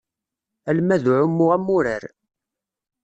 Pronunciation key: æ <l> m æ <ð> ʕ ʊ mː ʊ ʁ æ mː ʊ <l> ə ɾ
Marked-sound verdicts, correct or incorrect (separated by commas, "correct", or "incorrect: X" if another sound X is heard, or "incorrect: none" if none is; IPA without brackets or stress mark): correct, correct, incorrect: ɾ